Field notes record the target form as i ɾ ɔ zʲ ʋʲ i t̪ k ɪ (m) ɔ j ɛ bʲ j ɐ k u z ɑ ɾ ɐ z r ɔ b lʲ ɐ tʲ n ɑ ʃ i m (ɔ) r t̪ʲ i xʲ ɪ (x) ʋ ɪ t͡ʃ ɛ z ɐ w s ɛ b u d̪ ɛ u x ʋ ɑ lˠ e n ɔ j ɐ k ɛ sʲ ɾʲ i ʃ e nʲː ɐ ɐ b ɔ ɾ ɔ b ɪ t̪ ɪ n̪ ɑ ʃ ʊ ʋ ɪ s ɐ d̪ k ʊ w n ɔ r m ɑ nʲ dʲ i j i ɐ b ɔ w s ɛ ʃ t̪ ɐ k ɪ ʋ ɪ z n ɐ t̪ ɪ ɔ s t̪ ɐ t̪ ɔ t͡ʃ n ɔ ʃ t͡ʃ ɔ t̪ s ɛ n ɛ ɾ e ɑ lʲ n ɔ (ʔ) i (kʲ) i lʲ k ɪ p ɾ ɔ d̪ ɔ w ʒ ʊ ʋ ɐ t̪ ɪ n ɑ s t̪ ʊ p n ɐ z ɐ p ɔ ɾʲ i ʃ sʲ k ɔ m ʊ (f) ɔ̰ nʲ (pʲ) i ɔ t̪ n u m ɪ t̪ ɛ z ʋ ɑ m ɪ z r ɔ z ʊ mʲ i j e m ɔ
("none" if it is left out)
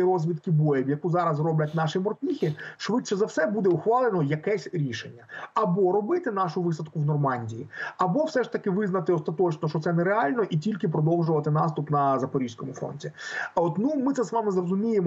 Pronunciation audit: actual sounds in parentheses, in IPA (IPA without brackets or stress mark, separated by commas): b, ɔ, ʃ, ʔ, tʲ, f, tʲ